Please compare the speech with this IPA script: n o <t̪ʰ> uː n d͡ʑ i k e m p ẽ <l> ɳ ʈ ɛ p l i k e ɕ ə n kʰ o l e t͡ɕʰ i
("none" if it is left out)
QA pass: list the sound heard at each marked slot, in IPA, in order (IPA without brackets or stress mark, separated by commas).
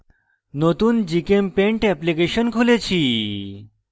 t̪, none